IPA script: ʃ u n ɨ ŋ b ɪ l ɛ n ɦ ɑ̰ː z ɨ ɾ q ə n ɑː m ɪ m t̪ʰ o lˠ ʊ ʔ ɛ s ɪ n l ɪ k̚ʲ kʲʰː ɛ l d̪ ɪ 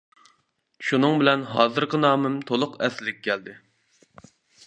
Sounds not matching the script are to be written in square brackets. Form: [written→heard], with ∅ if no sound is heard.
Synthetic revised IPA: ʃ u n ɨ ŋ b ɪ l ɛ n ɦ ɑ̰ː z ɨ ɾ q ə n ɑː m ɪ m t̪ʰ o lˠ ʊ [ʔ→q] ɛ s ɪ [n→∅] l ɪ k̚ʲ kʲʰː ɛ l d̪ ɪ